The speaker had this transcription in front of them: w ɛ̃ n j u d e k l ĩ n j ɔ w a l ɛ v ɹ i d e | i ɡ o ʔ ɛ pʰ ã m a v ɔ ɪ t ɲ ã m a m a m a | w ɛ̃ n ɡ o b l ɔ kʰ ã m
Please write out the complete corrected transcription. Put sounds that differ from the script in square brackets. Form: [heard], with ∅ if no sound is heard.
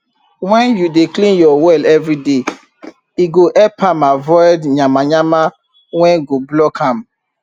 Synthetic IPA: w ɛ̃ n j u d e k l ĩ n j ɔ w [ɛ] l ɛ v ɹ i d e | i ɡ o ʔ ɛ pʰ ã m a v ɔ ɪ [d] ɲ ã m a [ɲ] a m a | w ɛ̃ n ɡ o b l ɔ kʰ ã m